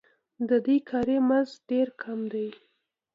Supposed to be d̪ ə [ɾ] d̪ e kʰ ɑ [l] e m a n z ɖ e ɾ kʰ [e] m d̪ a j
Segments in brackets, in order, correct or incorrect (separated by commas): incorrect, incorrect, incorrect